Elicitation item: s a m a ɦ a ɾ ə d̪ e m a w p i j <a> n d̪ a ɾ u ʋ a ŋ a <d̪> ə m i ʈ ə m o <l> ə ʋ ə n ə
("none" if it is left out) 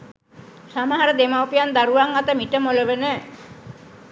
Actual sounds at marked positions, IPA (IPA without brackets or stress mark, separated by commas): a, t̪, l